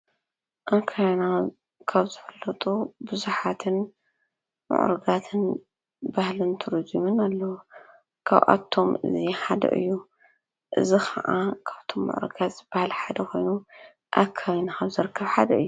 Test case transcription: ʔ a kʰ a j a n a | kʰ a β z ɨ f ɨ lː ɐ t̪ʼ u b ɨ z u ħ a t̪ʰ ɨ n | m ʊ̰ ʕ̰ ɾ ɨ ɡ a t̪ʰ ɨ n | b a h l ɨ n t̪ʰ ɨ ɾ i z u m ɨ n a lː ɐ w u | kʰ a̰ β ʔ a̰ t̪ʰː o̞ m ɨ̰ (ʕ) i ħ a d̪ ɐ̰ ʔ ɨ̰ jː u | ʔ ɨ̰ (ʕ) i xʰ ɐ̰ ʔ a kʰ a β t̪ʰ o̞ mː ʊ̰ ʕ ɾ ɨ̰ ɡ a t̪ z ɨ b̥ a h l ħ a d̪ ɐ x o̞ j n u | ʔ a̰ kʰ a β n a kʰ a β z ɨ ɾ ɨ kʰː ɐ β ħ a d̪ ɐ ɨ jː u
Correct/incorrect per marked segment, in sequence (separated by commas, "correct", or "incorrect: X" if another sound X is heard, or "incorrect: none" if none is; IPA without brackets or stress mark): incorrect: z, incorrect: z